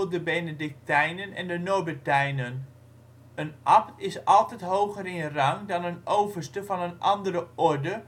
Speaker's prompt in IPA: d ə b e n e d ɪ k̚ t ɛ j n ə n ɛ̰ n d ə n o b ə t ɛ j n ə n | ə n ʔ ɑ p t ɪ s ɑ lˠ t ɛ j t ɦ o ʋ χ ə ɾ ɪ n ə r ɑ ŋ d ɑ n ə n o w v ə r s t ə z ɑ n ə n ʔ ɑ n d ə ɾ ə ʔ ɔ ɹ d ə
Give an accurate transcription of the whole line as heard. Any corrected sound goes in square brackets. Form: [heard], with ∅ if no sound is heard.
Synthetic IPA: d ə b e n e d ɪ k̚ t ɛ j n ə n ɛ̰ n d ə n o b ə t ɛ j n ə n | ə n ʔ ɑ p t ɪ s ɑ lˠ t ɛ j t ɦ o [w] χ ə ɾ ɪ n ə r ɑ ŋ d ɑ n ə n o w v ə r s t ə [v] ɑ n ə n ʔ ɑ n d ə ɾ ə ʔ ɔ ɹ d ə